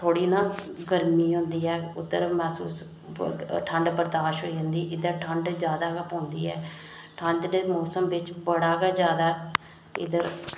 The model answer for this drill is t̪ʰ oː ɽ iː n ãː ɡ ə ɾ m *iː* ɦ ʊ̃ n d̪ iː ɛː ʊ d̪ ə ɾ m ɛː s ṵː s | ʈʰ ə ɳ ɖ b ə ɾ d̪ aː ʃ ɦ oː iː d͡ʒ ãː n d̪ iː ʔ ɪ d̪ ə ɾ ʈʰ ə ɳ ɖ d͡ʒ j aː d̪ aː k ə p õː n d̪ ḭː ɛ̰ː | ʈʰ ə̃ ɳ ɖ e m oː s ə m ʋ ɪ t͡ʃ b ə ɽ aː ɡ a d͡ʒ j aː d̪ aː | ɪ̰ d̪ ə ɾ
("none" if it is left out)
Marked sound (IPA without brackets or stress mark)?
iː